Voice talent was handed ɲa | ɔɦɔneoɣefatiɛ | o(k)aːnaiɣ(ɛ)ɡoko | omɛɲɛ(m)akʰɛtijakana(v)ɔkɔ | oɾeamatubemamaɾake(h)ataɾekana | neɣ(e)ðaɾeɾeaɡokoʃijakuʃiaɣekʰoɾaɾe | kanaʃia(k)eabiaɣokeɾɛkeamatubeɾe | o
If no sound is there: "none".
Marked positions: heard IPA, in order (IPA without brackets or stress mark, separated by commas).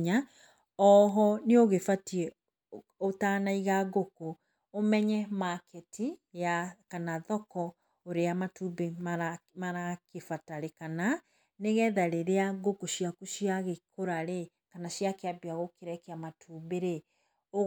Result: t, a, m, ð, f, ɛ, k